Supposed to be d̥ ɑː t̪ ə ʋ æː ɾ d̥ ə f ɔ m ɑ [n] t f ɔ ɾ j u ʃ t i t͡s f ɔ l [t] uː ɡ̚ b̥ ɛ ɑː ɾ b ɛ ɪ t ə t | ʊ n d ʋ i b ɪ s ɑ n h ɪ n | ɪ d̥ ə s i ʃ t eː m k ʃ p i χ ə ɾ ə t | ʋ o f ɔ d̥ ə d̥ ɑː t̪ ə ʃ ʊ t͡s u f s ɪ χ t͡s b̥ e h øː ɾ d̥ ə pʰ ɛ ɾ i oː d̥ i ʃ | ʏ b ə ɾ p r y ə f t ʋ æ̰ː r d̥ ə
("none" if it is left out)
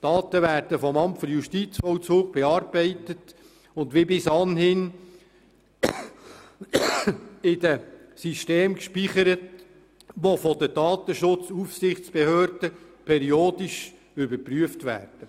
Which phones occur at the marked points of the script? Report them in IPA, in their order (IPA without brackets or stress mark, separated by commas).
m, t͡s